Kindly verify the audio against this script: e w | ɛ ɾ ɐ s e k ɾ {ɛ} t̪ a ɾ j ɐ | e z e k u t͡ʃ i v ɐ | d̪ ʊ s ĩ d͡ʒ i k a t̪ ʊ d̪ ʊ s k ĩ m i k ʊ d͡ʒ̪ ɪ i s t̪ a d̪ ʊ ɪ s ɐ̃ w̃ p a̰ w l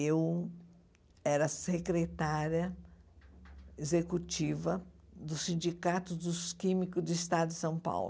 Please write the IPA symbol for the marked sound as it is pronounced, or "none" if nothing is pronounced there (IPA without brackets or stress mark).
e